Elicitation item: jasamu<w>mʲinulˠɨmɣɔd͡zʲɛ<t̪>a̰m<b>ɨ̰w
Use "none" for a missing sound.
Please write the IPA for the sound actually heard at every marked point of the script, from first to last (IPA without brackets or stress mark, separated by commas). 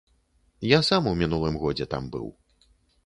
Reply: w, t̪, b